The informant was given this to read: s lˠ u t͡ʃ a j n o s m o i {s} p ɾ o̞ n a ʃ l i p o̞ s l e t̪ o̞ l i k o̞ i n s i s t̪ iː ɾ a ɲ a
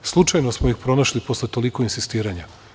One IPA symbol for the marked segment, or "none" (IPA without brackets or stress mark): x